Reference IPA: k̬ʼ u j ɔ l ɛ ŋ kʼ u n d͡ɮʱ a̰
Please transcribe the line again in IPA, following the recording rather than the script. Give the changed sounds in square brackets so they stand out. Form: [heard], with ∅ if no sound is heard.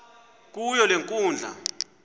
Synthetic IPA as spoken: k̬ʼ u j ɔ l [e] ŋ kʼ [uː] n d͡ɮʱ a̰